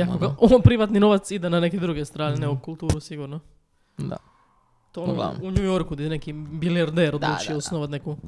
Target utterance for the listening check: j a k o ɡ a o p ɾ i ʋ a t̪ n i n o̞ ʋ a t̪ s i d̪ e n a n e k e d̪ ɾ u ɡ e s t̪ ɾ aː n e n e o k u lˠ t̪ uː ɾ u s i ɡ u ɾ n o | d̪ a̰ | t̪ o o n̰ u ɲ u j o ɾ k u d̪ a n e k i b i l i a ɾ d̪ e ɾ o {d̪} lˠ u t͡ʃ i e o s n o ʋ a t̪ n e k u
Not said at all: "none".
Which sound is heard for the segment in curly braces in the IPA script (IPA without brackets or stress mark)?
d̪